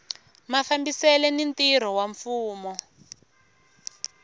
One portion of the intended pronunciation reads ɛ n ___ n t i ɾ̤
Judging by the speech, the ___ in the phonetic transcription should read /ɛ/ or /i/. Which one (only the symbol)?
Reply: i